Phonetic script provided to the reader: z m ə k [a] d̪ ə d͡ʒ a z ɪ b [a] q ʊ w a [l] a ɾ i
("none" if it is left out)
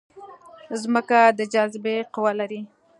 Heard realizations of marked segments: a, e, l

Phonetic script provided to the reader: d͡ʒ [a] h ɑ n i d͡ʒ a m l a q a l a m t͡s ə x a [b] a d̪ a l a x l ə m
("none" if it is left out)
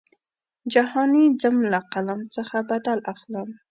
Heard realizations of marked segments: a, b

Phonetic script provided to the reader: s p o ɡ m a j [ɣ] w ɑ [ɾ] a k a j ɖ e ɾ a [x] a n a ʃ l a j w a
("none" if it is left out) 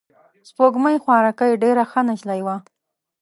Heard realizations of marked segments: x, ɾ, x

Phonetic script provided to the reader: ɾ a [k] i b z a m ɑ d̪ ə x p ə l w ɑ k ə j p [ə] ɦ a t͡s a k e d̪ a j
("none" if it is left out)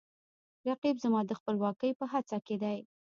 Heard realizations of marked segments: q, ə

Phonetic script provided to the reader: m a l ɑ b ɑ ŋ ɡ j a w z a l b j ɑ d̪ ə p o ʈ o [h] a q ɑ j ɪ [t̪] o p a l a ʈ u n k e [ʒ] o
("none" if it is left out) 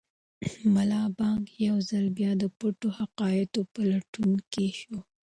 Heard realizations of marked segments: h, t̪, ʃ

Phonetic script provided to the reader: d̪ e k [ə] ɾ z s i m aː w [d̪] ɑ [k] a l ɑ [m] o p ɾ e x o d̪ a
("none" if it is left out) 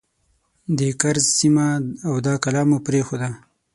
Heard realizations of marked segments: a, d̪, k, m

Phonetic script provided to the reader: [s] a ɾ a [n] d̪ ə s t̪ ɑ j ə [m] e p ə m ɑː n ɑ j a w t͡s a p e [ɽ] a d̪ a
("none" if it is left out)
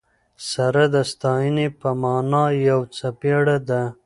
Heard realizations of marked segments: s, none, n, ɽ

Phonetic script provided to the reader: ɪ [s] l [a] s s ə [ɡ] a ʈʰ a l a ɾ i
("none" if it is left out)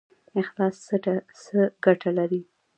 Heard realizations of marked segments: x, ɑ, ɡ

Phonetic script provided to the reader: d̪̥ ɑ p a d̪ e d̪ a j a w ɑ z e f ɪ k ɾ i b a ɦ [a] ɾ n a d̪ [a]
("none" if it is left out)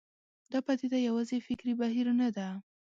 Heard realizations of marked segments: i, a

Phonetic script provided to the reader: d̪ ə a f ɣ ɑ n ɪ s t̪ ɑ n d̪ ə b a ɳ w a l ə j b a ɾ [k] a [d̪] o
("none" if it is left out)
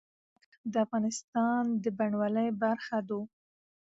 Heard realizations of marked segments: x, d̪

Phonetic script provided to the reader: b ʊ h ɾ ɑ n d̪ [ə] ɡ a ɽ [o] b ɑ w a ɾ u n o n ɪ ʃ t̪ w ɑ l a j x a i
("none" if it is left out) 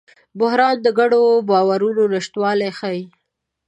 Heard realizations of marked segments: ə, o

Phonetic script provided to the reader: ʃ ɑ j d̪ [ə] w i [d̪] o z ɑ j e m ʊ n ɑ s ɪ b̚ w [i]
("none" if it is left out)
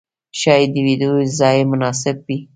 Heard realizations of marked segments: ə, d̪, i

